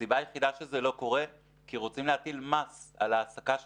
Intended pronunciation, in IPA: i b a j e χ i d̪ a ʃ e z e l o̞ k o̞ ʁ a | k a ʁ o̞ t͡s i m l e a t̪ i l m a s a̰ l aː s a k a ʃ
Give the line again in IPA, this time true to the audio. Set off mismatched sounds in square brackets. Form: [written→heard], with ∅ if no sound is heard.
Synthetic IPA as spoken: i b a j e χ i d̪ a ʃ e z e l o̞ k o̞ ʁ [a→e] | k [a→i] ʁ o̞ t͡s i m l e a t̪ i l m a s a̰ l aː s a k a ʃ